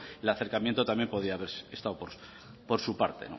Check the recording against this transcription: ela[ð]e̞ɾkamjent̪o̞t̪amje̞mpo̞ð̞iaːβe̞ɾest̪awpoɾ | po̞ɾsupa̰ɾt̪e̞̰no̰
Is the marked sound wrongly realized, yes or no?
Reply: yes